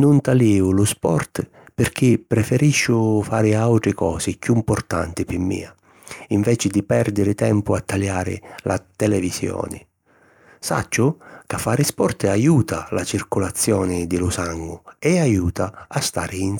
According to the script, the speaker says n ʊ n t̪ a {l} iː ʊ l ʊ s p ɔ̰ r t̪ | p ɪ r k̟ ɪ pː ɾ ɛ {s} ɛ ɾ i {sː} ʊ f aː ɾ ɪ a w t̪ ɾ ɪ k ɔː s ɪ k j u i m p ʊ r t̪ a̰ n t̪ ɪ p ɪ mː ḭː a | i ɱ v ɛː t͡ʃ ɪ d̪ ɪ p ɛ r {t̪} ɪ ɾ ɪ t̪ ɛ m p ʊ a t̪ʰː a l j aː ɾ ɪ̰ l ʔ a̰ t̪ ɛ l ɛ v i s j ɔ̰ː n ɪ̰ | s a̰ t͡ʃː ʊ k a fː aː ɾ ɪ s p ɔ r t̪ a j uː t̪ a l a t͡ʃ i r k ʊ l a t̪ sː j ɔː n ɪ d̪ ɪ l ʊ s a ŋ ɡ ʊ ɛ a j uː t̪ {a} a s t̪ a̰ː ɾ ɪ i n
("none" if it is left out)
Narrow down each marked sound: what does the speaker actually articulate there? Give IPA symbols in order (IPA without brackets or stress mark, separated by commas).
l, f, ʃː, d̪, a